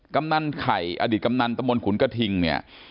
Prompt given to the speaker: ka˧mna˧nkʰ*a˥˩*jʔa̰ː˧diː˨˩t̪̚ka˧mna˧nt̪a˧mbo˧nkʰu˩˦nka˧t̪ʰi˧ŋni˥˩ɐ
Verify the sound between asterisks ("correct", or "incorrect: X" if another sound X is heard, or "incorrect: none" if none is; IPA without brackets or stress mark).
incorrect: a˨˩